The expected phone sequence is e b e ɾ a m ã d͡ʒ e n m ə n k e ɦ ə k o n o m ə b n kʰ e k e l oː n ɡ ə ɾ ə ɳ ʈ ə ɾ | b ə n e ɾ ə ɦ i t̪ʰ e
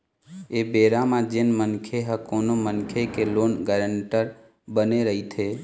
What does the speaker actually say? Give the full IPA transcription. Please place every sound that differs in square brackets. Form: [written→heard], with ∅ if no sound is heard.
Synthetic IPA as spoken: e b e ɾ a m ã d͡ʒ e n m ə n [k→kʰ] e ɦ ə k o n o m ə [b→∅] n kʰ e k e l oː n ɡ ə ɾ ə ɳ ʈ ə ɾ | b ə n e ɾ ə ɦ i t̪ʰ e